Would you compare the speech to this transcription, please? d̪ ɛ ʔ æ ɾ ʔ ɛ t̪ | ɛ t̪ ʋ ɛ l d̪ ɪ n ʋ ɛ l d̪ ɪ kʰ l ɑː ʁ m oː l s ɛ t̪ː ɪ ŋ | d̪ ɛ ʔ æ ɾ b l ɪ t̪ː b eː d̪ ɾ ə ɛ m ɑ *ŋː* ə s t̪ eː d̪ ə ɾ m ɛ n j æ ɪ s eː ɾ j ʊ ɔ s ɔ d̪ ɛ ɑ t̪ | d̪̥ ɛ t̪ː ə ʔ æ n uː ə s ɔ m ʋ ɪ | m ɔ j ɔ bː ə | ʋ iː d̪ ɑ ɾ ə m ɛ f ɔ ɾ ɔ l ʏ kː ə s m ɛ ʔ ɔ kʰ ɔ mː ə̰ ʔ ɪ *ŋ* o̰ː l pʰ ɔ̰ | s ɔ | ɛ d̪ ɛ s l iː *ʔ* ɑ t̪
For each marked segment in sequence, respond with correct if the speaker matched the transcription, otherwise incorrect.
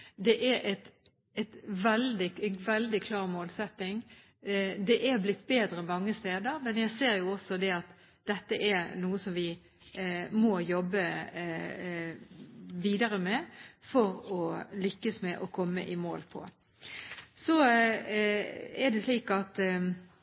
correct, incorrect, incorrect

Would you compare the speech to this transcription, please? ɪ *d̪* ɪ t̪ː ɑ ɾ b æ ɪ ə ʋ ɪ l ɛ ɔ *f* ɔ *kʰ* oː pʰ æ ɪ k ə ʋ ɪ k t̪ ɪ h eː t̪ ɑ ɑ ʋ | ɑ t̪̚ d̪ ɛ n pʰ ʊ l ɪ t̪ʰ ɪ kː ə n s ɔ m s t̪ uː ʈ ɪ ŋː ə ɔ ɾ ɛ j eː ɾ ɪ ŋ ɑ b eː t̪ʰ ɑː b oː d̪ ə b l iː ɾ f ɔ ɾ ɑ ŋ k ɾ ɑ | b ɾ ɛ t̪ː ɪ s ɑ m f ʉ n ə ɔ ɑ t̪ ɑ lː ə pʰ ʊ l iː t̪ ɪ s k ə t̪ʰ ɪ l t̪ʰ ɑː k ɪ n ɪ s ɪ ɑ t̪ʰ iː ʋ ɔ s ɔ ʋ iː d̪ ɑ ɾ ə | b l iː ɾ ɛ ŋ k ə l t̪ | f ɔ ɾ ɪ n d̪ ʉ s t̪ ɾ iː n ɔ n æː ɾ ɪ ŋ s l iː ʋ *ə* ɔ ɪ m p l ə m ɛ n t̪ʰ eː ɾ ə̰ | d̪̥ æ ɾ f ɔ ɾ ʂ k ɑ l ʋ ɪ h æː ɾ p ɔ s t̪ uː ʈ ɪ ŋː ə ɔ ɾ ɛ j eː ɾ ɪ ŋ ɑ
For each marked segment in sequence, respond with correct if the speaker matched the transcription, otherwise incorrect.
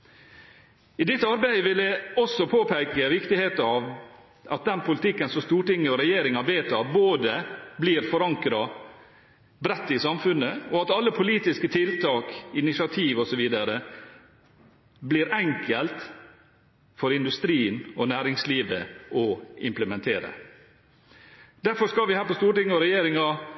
correct, incorrect, incorrect, correct

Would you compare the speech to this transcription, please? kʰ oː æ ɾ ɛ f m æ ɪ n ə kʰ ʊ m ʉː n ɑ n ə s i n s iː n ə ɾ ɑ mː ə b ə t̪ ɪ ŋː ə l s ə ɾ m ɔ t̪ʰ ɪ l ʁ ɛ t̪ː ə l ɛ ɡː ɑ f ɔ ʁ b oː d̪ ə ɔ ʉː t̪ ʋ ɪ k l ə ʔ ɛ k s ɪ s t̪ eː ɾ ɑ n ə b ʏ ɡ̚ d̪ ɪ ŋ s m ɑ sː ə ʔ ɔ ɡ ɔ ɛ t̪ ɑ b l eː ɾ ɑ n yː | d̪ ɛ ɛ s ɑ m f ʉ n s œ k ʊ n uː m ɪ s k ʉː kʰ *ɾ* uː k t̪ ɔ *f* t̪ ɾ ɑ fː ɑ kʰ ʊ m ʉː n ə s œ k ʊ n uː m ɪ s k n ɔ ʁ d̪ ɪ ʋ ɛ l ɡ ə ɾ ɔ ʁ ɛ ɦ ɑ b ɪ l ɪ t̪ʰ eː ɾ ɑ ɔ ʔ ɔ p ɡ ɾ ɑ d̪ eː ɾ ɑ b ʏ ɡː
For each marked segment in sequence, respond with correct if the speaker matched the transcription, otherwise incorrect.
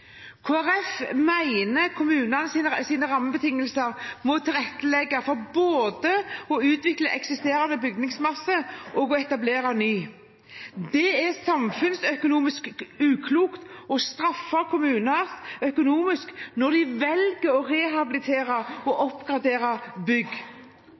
incorrect, incorrect

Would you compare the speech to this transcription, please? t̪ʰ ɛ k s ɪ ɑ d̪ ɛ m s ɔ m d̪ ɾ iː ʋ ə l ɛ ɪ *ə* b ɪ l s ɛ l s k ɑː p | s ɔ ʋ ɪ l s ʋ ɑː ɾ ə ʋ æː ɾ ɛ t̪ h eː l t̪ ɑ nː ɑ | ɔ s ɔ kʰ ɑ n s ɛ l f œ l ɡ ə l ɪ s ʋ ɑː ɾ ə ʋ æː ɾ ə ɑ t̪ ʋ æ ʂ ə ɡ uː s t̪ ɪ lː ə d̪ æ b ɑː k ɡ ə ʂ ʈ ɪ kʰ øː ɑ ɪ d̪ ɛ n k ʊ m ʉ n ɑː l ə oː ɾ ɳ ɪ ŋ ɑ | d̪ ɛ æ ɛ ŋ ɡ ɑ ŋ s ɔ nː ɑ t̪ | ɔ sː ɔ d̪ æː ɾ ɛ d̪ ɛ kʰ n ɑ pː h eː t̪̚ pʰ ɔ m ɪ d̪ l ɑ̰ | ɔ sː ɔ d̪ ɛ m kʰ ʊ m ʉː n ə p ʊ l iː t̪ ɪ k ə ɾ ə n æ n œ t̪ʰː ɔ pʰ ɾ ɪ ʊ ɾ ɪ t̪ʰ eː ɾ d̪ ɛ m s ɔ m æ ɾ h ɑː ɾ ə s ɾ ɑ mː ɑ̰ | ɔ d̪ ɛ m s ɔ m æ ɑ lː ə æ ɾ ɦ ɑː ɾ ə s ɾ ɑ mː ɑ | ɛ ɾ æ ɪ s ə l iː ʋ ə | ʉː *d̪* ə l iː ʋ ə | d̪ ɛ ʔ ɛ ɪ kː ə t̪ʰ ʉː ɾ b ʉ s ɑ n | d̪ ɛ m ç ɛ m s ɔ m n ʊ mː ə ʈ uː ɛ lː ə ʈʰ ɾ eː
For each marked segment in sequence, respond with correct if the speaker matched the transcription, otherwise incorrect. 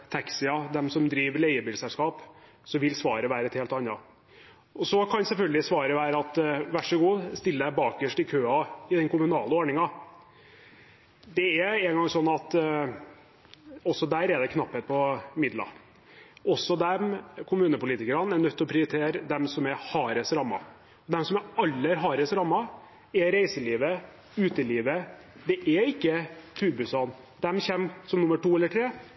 correct, incorrect

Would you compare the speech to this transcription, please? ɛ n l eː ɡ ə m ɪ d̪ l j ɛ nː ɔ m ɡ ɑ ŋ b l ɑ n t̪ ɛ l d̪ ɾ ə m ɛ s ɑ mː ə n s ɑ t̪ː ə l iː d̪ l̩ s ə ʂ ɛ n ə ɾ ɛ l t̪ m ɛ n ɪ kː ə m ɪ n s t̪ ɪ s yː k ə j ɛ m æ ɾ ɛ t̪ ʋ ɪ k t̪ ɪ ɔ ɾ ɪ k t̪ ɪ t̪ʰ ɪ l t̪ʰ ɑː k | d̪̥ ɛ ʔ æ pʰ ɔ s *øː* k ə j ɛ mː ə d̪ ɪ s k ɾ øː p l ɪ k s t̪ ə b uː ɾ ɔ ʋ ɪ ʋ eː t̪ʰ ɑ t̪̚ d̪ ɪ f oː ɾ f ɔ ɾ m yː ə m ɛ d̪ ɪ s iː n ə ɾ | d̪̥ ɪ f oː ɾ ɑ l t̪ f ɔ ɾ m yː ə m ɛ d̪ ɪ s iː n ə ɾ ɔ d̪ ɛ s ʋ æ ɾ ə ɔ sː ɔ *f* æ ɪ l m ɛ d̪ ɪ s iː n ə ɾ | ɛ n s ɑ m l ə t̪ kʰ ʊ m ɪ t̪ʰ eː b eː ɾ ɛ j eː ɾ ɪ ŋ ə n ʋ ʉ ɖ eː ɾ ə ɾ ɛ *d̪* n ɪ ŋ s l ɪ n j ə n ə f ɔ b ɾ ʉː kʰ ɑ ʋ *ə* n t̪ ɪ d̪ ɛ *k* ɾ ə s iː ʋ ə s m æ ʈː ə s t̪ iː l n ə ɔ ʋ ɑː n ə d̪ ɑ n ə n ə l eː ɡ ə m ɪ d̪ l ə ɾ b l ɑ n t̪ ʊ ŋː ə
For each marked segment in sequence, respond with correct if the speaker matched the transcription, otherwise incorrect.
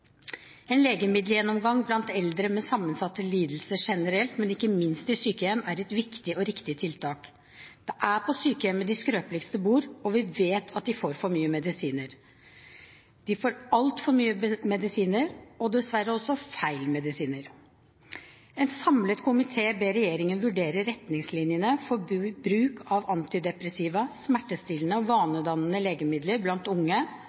incorrect, correct, incorrect, incorrect, incorrect

